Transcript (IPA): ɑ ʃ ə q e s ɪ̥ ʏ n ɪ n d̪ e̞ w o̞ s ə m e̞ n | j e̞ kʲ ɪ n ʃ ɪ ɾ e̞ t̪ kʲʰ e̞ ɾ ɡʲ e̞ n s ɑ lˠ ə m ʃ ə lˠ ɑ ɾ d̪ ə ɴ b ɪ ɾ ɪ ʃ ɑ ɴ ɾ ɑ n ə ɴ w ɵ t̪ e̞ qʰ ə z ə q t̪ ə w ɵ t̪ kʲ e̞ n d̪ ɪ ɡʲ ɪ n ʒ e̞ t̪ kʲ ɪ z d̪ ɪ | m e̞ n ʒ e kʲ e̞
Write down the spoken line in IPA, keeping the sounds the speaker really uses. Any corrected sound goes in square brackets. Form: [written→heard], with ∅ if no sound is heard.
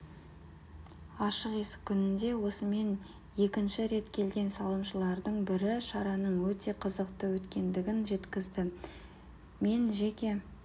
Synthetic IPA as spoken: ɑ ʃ ə q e s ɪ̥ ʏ n ɪ n d̪ e̞ w o̞ s ə m e̞ n | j e̞ kʲ ɪ n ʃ ɪ ɾ e̞ t̪ kʲʰ e̞ [ɾ→l] ɡʲ e̞ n s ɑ lˠ ə m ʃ ə lˠ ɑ ɾ d̪ ə ɴ b ɪ ɾ ɪ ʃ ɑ [ɴ→∅] ɾ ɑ n ə ɴ w ɵ t̪ e̞ qʰ ə z ə q t̪ ə w ɵ t̪ kʲ e̞ n d̪ ɪ ɡʲ ɪ n ʒ e̞ t̪ kʲ ɪ z d̪ ɪ | m e̞ n ʒ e kʲ e̞